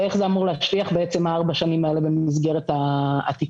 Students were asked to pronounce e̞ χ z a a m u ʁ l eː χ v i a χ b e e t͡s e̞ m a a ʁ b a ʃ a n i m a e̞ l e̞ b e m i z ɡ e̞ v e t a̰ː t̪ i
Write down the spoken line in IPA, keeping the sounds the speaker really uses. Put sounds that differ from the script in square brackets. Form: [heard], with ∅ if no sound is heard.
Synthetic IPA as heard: e̞ χ z [e] a m u ʁ l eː [ʃ] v i a χ b e e t͡s e̞ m a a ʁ b a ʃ a n i m a e̞ l e̞ b e m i z ɡ e̞ [ʁ] e t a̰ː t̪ i